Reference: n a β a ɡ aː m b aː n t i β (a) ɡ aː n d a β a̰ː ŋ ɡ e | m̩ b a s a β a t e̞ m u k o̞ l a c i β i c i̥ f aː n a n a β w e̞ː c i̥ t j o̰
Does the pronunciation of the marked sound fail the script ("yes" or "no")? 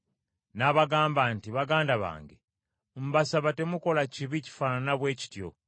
no